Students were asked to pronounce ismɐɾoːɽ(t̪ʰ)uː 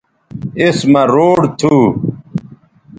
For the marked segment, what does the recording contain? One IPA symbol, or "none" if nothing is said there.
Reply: t̪ʰ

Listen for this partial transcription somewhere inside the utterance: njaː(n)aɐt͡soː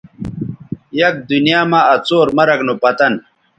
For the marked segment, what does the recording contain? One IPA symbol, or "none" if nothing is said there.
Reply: m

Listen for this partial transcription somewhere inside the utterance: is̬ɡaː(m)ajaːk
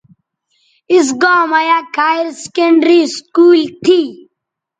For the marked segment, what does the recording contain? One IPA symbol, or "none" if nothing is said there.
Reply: m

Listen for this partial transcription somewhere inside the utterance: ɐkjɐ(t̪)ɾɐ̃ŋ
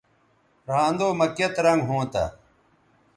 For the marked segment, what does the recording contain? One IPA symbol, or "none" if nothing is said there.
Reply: t̪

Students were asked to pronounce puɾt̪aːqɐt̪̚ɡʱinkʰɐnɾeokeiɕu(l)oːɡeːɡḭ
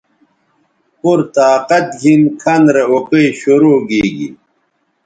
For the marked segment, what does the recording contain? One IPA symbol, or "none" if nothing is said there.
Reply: ɾ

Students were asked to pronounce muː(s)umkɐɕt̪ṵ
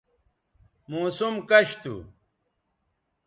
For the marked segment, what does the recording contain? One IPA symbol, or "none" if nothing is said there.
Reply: s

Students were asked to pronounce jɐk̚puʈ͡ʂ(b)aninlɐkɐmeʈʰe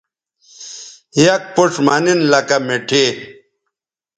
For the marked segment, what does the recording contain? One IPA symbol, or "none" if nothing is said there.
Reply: m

